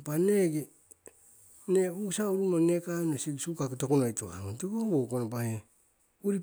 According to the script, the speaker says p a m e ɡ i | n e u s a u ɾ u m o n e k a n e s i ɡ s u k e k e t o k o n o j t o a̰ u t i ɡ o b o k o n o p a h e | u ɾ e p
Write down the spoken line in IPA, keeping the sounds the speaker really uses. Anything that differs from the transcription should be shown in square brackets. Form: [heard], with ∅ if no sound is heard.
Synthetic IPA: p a [n] e ɡ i | n e u s a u ɾ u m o n e k a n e s i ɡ s u k [a] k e t o k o n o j t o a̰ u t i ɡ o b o k o n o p a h e | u ɾ [i] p